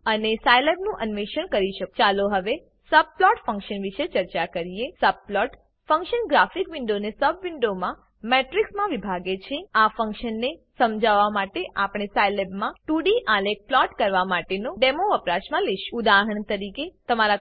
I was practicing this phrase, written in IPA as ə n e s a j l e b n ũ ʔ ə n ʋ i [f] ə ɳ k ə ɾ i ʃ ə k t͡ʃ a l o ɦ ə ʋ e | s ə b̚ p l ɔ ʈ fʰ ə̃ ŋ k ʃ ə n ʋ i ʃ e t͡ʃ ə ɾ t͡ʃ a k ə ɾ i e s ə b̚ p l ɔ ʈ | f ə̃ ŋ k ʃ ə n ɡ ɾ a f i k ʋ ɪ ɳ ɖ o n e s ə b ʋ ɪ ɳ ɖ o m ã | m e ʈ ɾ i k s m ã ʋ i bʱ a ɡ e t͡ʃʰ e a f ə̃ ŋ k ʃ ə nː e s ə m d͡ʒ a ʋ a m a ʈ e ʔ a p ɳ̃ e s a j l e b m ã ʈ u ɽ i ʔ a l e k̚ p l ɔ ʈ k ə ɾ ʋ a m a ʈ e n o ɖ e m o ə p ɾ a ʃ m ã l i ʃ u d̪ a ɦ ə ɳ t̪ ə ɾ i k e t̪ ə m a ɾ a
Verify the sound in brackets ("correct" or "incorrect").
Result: incorrect